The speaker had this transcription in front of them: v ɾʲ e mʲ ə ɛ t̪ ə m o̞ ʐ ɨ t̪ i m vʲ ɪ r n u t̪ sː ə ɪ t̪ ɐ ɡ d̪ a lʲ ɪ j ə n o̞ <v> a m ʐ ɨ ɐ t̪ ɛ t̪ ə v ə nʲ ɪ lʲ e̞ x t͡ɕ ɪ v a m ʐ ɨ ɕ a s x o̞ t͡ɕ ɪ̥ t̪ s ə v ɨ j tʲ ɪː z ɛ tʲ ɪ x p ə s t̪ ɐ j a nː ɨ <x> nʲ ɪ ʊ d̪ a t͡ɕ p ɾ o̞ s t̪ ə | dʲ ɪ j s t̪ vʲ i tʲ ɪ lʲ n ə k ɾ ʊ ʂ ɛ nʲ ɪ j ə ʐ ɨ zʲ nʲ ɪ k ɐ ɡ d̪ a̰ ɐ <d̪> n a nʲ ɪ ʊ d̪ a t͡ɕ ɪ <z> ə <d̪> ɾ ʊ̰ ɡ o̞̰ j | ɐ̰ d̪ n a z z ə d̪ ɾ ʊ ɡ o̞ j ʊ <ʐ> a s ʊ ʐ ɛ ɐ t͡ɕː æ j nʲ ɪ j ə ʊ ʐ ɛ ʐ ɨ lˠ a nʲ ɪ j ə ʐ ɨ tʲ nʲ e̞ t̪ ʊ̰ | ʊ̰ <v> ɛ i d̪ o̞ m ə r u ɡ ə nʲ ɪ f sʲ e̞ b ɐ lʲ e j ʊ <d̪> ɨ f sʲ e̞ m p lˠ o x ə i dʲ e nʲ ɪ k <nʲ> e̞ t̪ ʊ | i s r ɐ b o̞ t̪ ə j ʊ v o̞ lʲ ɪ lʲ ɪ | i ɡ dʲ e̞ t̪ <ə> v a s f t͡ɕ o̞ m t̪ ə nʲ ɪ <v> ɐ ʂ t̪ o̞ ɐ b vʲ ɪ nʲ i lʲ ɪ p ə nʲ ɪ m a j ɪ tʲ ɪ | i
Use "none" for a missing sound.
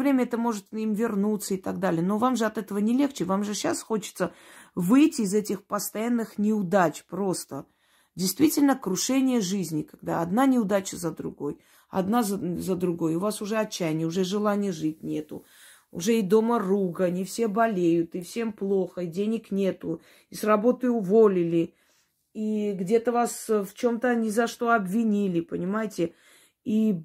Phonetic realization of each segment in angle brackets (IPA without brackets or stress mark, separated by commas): v, x, d̪, z, d̪, v, ʐ, t̪, nʲ, ə, z